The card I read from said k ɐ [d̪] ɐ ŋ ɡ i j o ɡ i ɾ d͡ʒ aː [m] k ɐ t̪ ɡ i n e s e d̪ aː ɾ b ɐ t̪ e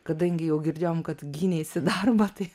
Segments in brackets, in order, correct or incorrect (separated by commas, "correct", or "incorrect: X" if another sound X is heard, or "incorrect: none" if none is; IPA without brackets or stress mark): correct, correct